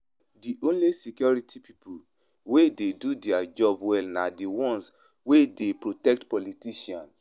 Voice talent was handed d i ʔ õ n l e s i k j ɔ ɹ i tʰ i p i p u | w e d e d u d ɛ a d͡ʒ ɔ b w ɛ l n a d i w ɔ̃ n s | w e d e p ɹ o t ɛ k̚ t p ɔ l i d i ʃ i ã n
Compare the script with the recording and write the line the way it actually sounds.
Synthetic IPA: d i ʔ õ n l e s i k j ɔ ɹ i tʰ i p i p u | w e d e d u d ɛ a d͡ʒ ɔ b w ɛ l n a d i w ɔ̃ n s | w e d e p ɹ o t ɛ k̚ t p ɔ l i t i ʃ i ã n